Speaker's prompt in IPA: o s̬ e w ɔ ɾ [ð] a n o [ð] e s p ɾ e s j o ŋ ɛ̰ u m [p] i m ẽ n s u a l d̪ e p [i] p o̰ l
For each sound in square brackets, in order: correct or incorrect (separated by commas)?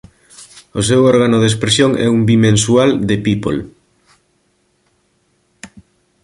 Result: incorrect, correct, incorrect, correct